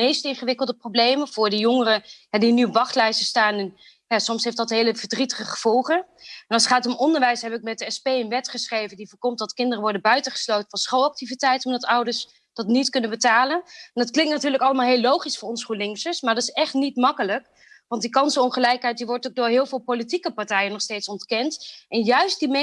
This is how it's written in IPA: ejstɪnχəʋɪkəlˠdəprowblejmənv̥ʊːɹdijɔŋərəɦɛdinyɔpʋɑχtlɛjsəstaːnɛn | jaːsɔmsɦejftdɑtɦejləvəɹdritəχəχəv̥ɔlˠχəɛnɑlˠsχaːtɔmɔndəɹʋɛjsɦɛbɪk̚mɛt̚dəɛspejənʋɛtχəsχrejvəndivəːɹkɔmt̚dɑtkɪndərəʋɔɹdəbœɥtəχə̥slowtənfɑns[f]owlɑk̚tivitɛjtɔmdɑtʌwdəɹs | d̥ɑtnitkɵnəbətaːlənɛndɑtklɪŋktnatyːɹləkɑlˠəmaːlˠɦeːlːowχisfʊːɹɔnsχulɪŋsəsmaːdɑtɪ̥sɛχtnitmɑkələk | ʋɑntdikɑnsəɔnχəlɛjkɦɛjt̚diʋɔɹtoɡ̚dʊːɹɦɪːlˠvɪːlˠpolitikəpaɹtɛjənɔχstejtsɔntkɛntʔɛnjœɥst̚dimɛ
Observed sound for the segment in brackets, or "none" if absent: χ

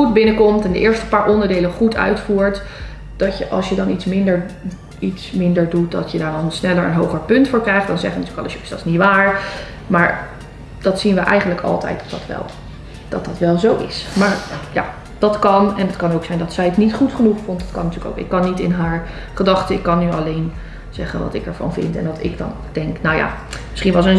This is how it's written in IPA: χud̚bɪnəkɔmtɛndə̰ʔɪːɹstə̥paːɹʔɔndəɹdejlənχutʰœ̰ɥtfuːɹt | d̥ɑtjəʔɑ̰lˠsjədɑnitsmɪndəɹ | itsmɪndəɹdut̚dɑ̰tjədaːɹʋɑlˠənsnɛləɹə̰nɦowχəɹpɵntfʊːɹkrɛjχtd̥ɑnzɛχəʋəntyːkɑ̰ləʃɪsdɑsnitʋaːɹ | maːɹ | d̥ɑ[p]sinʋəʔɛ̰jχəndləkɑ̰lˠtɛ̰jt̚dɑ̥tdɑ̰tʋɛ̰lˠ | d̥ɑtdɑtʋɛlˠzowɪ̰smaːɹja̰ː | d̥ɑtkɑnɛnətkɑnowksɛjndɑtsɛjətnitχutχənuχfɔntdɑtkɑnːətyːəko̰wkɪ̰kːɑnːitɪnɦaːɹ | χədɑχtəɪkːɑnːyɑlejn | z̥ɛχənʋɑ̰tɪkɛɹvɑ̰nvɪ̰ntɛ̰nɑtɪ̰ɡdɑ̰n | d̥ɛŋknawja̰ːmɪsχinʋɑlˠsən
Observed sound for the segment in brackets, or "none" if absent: t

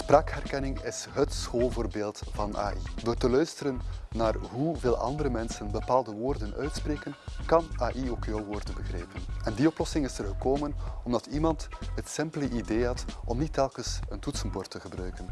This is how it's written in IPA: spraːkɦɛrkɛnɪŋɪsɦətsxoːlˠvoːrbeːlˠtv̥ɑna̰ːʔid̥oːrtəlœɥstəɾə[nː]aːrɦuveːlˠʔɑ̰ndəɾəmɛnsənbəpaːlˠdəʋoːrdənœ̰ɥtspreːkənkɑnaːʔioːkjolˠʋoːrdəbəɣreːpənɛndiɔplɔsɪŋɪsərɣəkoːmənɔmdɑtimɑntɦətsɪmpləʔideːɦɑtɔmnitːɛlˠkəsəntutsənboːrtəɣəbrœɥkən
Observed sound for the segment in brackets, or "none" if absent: nː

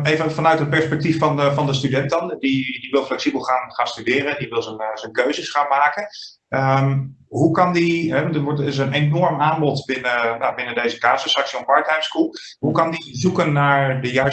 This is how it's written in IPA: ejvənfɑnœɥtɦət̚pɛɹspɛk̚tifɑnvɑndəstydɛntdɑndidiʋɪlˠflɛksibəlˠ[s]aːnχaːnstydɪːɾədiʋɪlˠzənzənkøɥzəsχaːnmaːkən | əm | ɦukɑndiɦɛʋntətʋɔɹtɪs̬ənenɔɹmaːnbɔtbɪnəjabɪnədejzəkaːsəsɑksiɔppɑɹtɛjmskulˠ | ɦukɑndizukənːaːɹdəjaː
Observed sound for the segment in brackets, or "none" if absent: χ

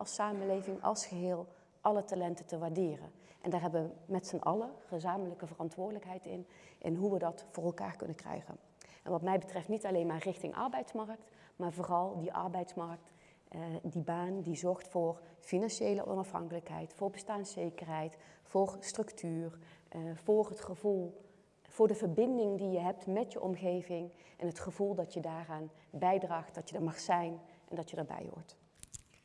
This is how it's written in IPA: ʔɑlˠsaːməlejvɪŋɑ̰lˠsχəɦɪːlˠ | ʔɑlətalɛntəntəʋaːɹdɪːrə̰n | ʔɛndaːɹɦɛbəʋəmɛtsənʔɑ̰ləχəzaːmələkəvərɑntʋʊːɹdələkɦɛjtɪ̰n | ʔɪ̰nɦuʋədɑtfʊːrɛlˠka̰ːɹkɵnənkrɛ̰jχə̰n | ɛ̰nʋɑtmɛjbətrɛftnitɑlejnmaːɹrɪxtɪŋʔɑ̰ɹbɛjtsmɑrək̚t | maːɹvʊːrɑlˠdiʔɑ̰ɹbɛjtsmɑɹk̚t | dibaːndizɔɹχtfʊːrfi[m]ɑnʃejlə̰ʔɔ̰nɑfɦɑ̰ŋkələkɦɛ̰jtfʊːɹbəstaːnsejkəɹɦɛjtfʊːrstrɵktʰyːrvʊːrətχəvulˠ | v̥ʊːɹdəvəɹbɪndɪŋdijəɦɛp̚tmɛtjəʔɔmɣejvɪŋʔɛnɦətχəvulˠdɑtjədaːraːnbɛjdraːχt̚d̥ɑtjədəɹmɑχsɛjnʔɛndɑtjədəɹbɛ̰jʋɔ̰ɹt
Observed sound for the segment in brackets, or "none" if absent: n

